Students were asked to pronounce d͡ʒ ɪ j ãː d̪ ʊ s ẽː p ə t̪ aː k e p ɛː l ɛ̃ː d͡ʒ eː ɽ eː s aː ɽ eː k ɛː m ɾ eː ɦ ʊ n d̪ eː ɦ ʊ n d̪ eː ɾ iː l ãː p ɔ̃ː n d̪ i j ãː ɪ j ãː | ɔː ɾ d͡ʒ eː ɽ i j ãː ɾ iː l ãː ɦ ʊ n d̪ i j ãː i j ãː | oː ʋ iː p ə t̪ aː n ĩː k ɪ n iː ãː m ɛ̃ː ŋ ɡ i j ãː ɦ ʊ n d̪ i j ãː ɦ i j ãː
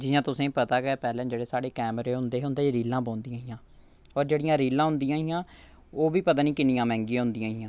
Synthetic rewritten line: d͡ʒ ɪ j ãː t̪ ʊ s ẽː p ə t̪ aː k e p ɛː l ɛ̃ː d͡ʒ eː ɽ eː s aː ɽ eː k ɛː m ɾ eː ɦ ʊ n d̪ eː ɦ ʊ n d̪ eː ɾ iː l ãː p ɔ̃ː n d̪ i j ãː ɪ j ãː | ɔː ɾ d͡ʒ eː ɽ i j ãː ɾ iː l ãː ɦ ʊ n d̪ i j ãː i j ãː | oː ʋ iː p ə t̪ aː n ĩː k ɪ n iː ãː m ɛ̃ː ŋ ɡ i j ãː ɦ ʊ n d̪ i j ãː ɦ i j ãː